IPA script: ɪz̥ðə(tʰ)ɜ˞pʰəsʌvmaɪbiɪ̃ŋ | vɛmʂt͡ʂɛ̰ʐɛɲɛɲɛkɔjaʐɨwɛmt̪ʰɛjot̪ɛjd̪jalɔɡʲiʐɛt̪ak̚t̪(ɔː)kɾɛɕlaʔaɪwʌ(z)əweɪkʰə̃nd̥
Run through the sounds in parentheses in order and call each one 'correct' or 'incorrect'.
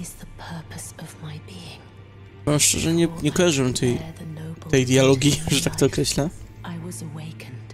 incorrect: pʰ, correct, correct

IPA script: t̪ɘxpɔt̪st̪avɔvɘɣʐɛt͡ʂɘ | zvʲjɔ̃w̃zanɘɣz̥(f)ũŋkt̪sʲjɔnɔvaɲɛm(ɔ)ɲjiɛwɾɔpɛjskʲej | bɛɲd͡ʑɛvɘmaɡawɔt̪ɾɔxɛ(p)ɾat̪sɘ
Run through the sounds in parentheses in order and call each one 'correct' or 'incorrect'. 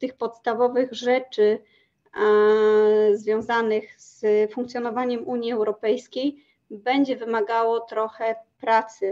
correct, incorrect: u, correct

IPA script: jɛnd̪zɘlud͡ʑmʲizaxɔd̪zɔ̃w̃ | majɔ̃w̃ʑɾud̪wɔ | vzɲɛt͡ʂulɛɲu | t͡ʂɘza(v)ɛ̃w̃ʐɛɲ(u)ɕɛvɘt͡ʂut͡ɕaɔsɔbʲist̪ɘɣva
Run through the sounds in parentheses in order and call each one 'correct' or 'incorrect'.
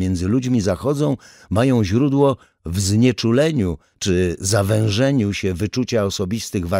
correct, correct

